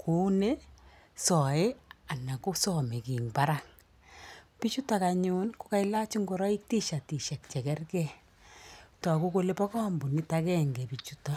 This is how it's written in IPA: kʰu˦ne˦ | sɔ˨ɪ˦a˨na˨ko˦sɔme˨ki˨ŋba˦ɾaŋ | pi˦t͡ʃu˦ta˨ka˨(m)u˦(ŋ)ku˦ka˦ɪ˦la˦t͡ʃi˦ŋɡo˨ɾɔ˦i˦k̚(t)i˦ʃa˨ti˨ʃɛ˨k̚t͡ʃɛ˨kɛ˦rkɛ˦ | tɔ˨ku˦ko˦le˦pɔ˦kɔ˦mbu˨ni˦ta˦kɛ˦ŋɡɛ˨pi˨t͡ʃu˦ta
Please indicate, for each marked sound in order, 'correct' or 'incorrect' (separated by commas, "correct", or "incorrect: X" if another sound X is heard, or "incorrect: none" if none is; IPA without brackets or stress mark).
incorrect: ɲ, incorrect: n, correct